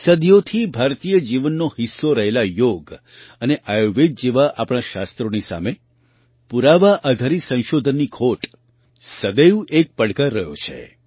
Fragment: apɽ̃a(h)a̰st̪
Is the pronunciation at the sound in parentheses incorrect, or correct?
incorrect